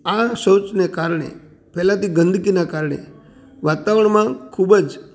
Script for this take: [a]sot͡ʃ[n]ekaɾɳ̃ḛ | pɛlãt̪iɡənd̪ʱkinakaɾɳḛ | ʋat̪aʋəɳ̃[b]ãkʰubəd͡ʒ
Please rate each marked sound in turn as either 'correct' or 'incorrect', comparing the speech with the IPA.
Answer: correct, correct, incorrect

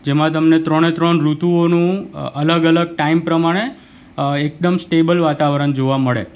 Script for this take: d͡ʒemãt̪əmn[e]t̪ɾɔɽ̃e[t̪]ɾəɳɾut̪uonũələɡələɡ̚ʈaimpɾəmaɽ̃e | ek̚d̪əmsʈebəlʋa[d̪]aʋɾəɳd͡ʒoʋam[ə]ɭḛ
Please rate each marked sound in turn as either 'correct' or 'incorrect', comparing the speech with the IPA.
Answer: correct, correct, incorrect, correct

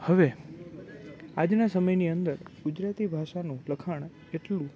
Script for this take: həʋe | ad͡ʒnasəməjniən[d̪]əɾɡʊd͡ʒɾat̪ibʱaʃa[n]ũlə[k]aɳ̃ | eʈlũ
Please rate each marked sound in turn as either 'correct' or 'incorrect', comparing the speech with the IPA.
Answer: correct, correct, incorrect

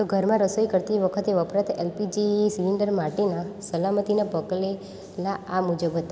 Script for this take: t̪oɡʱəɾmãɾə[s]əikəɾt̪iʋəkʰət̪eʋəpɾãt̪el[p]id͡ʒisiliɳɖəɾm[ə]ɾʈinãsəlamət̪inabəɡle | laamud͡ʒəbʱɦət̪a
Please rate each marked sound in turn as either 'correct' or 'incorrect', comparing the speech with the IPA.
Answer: correct, correct, incorrect

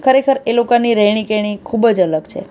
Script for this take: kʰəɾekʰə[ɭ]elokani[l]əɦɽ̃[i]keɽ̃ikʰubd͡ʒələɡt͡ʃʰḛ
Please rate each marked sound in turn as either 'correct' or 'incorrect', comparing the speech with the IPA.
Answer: incorrect, incorrect, correct

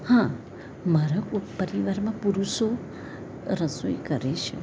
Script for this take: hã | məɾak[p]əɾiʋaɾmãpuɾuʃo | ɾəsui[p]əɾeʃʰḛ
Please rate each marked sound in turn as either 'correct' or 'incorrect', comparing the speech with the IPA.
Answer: correct, incorrect

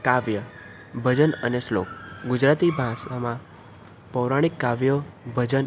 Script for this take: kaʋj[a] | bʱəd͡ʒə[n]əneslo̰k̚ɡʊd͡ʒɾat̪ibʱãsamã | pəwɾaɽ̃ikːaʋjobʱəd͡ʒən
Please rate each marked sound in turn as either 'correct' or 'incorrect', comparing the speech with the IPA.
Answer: incorrect, correct

